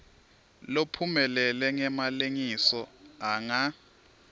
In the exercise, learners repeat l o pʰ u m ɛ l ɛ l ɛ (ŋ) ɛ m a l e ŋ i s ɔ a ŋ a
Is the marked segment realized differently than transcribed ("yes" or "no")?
no